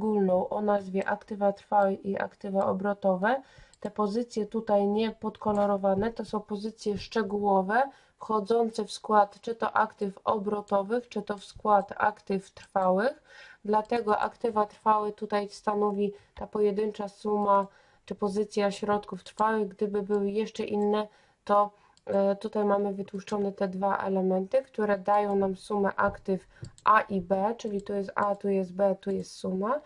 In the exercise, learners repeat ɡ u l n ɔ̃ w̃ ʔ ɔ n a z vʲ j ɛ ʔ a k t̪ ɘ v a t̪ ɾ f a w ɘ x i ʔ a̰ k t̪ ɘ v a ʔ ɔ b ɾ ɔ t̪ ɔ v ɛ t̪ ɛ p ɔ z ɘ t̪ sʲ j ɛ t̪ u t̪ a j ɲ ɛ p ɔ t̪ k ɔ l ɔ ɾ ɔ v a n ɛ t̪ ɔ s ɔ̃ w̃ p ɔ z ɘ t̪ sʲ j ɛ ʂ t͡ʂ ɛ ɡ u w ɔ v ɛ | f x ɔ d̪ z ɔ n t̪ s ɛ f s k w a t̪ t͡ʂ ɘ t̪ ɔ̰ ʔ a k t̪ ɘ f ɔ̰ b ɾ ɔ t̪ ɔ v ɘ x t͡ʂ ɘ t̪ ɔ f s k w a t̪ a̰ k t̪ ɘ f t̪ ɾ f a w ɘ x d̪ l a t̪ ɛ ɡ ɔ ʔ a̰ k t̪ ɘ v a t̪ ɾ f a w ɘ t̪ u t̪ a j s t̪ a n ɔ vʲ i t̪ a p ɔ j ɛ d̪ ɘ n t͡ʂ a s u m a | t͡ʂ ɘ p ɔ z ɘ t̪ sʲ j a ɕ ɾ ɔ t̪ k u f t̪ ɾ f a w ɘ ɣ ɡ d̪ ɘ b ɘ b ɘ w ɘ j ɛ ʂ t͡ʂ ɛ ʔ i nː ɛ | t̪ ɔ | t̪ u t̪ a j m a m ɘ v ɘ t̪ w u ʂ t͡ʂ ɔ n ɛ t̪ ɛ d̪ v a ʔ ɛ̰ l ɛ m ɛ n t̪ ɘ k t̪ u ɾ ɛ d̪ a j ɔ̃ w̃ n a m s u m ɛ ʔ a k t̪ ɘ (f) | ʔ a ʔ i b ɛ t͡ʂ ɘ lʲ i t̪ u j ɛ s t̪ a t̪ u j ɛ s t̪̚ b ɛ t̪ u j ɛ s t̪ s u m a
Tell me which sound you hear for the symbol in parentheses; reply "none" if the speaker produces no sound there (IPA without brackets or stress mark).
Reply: f